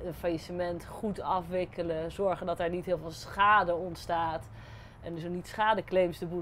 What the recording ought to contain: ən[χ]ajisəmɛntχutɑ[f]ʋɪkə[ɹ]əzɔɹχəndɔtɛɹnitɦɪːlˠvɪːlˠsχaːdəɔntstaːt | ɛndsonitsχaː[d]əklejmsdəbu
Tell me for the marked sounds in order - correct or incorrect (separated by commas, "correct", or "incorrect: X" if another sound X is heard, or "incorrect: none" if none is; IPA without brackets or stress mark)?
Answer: incorrect: f, correct, incorrect: l, correct